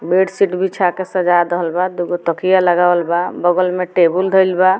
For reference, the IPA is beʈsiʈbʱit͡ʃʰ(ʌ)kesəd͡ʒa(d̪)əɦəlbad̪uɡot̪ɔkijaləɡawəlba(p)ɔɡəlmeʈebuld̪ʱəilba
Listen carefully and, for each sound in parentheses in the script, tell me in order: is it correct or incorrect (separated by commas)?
incorrect, correct, incorrect